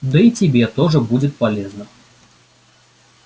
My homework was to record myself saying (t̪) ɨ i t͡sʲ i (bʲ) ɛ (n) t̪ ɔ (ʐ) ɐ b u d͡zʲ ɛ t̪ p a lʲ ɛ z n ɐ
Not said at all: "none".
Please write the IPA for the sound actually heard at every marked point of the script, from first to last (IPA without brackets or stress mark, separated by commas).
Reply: d̪, bʲ, none, ʐ